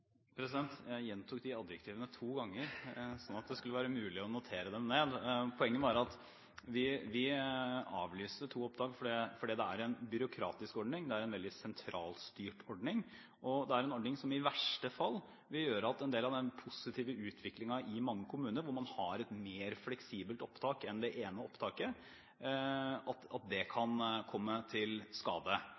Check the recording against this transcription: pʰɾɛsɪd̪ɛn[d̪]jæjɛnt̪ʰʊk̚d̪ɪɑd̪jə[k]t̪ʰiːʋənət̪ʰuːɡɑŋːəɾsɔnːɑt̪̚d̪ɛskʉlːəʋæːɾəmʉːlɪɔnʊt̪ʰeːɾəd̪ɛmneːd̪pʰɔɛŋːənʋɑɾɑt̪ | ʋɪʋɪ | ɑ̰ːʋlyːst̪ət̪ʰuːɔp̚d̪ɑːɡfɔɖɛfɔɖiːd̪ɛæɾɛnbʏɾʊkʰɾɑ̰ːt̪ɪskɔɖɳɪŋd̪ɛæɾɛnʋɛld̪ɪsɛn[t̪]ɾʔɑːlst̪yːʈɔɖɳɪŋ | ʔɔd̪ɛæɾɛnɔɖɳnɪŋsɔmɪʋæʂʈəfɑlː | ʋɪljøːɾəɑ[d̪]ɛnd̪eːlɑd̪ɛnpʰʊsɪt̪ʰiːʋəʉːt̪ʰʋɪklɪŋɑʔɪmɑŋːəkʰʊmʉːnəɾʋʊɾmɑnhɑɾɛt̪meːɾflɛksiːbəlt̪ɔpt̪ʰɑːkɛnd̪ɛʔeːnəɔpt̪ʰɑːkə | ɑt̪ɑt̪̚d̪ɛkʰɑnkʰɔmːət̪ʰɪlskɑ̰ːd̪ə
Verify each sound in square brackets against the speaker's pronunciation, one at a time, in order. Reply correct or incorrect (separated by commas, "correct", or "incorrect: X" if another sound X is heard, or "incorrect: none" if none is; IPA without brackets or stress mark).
incorrect: t̪, correct, incorrect: t̪ʰ, incorrect: t̪